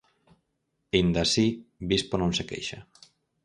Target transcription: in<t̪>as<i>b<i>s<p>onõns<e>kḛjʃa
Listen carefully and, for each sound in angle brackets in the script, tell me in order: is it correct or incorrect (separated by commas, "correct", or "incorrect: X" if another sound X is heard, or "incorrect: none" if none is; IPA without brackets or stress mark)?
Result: incorrect: d̪, correct, correct, correct, correct